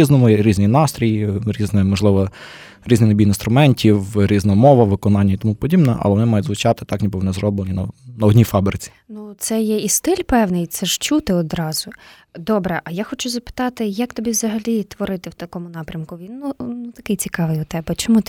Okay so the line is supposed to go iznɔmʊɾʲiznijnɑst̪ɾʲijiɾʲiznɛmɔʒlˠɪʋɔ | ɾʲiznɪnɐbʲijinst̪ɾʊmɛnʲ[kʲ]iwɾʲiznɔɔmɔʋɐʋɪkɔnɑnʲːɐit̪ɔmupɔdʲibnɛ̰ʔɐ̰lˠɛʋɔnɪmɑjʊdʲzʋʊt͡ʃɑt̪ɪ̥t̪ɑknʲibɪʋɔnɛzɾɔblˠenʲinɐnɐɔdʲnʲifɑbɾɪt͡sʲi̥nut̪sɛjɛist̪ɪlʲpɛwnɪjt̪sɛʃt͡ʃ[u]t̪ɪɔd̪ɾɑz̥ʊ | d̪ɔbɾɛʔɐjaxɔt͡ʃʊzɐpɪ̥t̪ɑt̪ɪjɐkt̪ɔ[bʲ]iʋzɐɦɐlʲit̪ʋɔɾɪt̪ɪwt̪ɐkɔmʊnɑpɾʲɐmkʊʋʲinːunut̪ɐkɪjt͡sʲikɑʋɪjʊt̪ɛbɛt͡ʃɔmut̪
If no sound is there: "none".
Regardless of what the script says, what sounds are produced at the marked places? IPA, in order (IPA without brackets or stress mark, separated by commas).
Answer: tʲ, u, bʲ